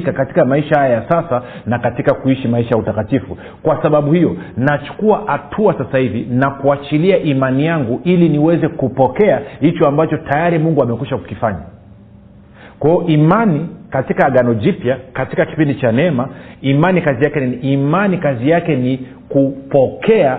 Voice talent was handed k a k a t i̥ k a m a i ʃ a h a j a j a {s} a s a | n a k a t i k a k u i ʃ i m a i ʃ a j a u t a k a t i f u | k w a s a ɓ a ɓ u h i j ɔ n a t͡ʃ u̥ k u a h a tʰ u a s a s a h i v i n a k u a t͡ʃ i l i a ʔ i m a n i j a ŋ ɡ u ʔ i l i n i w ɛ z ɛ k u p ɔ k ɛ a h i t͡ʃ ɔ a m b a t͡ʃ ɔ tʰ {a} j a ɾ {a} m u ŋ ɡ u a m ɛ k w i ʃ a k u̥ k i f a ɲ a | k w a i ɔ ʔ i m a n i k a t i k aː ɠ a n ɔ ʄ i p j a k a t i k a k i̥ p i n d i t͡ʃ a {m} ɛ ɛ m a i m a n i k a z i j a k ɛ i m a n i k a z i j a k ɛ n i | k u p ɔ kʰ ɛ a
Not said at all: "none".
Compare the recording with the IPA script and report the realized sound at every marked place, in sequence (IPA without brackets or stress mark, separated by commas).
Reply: s, a, i, n